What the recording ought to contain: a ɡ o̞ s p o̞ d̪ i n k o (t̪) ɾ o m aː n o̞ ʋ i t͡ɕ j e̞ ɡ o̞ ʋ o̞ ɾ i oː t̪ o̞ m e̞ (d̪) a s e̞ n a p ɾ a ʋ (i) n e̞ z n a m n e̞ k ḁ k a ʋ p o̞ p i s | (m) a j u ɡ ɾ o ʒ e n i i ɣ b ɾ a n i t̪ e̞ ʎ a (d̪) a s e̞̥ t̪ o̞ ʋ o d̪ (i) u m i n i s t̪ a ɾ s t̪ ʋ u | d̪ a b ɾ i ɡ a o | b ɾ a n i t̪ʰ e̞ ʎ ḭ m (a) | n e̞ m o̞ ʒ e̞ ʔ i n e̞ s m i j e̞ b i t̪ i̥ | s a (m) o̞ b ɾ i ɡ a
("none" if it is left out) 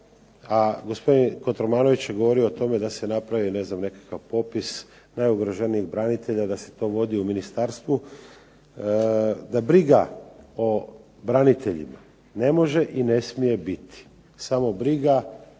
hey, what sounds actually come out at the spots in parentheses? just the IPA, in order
t̪, d̪, i, n, d̪, i, a, m

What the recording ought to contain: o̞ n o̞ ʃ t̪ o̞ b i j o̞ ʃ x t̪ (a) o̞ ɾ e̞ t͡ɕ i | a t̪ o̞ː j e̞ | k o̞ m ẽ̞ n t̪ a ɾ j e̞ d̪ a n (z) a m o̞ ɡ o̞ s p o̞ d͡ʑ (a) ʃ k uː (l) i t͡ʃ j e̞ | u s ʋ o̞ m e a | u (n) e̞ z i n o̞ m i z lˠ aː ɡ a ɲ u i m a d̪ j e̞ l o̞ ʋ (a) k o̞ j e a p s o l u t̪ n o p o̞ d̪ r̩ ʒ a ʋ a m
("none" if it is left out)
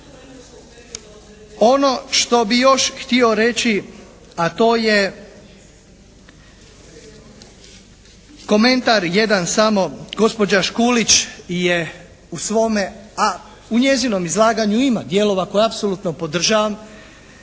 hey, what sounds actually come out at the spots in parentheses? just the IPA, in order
i, s, a, l, ɲ, a

